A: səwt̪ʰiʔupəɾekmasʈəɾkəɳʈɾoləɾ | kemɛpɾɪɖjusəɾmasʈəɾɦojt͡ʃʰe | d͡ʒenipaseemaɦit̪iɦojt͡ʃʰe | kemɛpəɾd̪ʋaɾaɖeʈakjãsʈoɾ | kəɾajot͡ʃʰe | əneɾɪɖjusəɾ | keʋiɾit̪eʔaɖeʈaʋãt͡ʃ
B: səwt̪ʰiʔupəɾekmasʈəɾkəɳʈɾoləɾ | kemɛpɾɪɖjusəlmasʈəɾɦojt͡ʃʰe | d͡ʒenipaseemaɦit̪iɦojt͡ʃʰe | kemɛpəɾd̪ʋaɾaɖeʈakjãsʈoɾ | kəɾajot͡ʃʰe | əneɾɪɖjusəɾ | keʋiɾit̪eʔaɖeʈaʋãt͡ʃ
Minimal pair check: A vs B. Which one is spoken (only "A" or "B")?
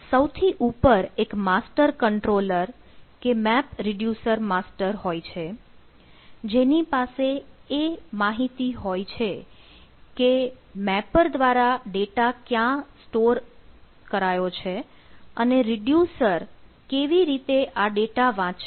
A